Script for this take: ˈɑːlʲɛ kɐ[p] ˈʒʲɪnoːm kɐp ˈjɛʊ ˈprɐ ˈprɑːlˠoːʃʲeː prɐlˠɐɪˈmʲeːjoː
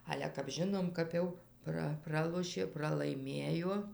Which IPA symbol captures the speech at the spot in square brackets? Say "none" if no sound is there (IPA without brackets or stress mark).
p